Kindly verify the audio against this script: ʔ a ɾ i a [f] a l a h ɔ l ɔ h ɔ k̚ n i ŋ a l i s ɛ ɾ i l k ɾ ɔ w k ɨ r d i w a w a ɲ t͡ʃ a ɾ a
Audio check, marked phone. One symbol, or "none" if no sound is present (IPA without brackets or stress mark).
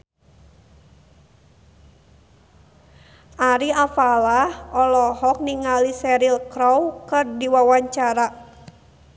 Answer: f